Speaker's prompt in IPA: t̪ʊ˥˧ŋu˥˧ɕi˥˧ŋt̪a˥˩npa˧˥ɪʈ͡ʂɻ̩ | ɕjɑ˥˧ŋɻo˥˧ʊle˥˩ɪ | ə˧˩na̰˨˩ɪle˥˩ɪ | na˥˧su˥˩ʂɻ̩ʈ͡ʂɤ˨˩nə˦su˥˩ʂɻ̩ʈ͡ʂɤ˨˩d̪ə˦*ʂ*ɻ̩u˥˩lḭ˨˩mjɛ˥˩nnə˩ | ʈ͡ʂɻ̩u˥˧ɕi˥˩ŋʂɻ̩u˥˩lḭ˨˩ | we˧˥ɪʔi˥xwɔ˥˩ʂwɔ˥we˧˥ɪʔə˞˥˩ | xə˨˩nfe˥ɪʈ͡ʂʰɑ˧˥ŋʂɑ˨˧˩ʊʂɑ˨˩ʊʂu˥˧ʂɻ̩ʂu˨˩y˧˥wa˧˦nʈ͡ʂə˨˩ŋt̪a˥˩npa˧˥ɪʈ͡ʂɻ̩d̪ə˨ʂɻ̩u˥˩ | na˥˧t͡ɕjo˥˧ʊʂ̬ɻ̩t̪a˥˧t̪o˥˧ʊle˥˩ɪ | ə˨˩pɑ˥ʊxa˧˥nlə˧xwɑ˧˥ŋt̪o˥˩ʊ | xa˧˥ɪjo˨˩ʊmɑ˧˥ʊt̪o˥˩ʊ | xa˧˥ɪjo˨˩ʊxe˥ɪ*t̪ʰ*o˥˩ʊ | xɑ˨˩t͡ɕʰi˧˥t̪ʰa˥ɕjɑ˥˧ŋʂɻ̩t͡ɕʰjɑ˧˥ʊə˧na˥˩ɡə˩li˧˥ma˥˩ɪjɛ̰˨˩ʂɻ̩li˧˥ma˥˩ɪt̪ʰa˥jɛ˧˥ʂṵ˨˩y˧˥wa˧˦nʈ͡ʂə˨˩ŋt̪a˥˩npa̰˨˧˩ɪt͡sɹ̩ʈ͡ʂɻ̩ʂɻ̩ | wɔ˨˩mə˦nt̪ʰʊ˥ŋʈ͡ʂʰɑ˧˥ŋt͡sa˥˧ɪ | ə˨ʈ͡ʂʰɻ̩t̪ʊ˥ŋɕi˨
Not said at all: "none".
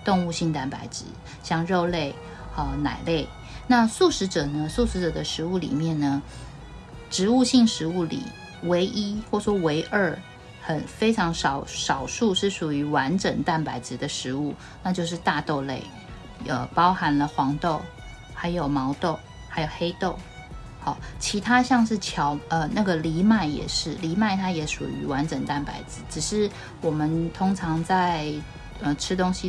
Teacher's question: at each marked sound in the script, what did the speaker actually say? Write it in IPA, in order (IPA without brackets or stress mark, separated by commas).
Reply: ʂ, t̪